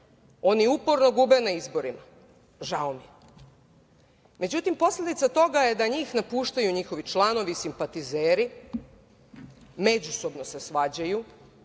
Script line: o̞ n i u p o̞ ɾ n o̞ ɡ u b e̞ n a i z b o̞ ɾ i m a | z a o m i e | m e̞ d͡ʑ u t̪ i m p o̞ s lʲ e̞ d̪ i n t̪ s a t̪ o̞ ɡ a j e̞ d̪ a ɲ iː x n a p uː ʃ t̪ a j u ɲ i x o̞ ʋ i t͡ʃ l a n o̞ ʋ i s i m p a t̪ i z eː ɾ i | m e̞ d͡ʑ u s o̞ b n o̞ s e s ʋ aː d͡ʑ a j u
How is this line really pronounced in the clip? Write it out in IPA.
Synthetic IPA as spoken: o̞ n i u p o̞ ɾ n o̞ ɡ u b e̞ n a i z b o̞ ɾ i m a | ʒ a o m i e | m e̞ d͡ʑ u t̪ i m p o̞ s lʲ e̞ d̪ i t̪ s a t̪ o̞ ɡ a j e̞ d̪ a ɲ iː x n a p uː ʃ t̪ a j u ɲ i x o̞ ʋ i t͡ʃ l a n o̞ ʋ i s i m p a t̪ i z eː ɾ i | m e̞ d͡ʑ u s o̞ b n o̞ s e s ʋ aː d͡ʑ a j u